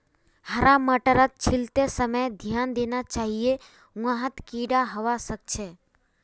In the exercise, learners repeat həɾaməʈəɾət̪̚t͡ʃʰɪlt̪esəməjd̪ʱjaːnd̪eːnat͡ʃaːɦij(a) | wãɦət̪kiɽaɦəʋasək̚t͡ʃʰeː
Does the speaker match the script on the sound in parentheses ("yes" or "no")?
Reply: no